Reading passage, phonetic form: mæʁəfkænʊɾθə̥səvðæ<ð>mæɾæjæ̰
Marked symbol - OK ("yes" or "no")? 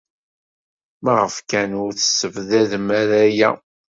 yes